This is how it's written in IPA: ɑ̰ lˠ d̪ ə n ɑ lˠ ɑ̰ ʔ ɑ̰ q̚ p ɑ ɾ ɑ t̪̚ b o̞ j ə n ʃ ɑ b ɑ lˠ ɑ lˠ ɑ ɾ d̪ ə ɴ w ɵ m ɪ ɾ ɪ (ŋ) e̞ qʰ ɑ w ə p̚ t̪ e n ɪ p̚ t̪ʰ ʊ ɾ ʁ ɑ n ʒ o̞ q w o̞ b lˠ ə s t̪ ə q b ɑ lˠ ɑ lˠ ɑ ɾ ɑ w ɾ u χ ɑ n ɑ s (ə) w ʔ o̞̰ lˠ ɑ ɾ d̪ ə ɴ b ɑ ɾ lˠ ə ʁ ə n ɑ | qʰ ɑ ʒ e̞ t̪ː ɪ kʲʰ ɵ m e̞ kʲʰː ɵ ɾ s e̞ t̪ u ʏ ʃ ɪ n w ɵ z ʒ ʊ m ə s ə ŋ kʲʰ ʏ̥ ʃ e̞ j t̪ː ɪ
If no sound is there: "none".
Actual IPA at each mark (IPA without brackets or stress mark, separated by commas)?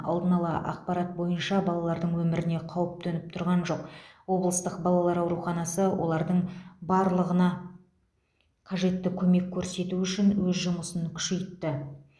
n, ə